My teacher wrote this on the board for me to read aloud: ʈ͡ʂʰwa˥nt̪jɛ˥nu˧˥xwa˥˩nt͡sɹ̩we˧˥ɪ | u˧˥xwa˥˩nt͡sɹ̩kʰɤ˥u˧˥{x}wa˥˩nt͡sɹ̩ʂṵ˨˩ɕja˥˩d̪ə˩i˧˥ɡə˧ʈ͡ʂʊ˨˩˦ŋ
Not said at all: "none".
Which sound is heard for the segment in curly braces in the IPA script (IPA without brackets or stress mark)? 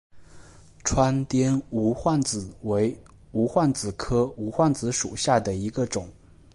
x